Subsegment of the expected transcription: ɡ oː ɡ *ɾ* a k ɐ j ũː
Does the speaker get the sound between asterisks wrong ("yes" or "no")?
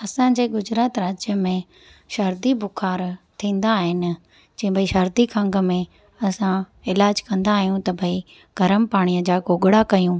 yes